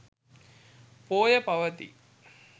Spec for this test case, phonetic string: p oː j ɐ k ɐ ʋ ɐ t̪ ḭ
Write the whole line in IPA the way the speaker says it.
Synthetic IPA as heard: p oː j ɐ p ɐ ʋ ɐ t̪ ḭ